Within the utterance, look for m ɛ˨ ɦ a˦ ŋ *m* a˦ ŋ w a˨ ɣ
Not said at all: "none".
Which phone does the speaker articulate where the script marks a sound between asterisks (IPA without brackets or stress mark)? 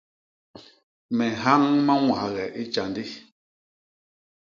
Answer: m